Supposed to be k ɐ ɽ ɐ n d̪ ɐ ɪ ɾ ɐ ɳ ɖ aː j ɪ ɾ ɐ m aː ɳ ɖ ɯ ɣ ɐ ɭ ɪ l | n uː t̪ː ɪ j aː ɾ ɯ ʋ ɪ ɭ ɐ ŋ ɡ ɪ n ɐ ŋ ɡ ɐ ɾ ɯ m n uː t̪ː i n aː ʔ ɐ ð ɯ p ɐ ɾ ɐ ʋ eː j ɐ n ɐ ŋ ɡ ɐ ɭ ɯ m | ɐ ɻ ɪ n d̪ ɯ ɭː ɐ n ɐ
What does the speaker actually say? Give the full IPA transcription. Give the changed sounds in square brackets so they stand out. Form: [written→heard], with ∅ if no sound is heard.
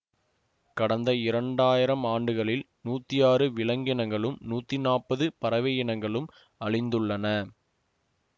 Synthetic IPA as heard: k ɐ ɽ ɐ n d̪ ɐ ɪ ɾ ɐ ɳ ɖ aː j ɪ ɾ ɐ m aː ɳ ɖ ɯ ɣ ɐ ɭ ɪ l | n uː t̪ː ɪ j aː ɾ ɯ ʋ ɪ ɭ ɐ ŋ ɡ ɪ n ɐ ŋ ɡ ɐ [ɾ→ɭ] ɯ m n uː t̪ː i n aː [ʔ→p] ɐ ð ɯ p ɐ ɾ ɐ ʋ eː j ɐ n ɐ ŋ ɡ ɐ ɭ ɯ m | ɐ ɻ ɪ n d̪ ɯ ɭː ɐ n ɐ

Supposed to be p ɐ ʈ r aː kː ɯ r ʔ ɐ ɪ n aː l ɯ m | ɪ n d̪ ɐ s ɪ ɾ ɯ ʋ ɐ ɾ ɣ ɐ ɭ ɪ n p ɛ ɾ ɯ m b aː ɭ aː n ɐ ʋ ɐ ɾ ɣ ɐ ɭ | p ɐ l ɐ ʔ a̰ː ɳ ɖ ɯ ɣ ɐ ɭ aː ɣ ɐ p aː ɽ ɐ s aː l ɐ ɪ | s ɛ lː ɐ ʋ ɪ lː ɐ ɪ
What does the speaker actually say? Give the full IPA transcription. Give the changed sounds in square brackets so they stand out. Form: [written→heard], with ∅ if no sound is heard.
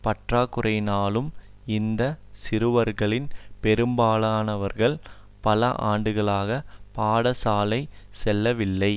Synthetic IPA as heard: p ɐ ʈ r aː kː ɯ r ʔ ɐ ɪ n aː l ɯ m | ɪ n d̪ ɐ s ɪ ɾ ɯ ʋ ɐ ɾ ɣ ɐ ɭ ɪ n p ɛ ɾ ɯ m b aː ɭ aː n ɐ ʋ ɐ ɾ ɣ ɐ ɭ | p ɐ l ɐ ʔ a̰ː ɳ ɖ ɯ ɣ ɐ ɭ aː ɣ ɐ p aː ɽ ɐ s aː l ɐ ɪ | s ɛ lː ɐ ʋ ɪ lː ɐ ɪ

